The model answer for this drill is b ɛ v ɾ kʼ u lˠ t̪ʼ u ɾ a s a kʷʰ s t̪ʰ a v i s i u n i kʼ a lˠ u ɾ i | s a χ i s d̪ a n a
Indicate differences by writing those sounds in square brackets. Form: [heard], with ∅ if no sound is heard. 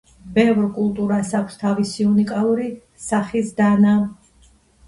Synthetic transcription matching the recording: b ɛ v ɾ kʼ u lˠ t̪ʼ u ɾ a s a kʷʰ s t̪ʰ a v i s i u n i kʼ a lˠ u ɾ i | s a χ i s d̪ a n a